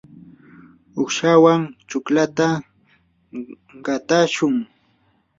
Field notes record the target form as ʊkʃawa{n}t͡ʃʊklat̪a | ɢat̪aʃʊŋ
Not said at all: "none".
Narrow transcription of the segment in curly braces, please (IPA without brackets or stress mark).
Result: ŋ